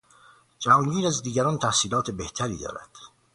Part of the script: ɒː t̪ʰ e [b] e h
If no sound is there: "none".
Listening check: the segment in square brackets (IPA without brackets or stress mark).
b